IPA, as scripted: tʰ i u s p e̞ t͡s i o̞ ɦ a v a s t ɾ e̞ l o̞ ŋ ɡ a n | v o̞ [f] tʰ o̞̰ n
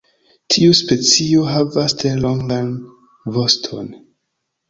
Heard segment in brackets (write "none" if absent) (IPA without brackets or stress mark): s